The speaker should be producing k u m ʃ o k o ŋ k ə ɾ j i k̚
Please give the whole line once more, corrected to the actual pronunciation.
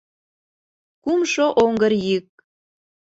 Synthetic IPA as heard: k u m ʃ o ʔ o ŋ ɡ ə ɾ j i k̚